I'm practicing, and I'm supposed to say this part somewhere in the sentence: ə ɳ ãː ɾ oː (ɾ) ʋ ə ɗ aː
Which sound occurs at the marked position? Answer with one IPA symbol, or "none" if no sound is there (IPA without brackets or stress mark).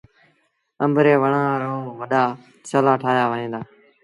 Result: none